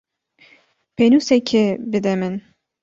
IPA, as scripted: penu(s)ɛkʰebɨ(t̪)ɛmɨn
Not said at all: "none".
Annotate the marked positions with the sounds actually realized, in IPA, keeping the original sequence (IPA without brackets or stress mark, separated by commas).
s, d̪